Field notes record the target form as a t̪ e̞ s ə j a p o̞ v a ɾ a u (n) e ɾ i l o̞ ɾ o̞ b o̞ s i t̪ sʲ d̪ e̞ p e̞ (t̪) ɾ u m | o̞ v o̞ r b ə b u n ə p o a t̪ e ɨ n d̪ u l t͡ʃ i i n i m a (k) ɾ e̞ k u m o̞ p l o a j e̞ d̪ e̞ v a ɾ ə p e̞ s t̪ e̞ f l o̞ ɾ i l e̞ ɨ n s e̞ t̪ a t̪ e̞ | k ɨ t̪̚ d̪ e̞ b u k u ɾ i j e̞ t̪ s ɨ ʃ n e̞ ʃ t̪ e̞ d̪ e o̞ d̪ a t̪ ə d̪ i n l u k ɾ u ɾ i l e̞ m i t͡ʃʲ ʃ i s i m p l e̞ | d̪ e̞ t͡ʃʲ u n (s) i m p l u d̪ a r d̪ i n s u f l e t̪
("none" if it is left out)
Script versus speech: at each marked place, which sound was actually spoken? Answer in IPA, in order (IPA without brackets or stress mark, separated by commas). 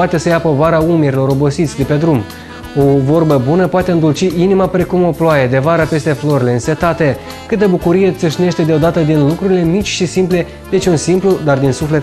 m, d̪, p, s